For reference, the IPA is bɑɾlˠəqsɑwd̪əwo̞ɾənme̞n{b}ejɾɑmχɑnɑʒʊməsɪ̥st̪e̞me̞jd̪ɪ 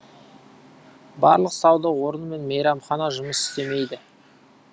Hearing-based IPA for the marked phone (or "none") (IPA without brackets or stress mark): m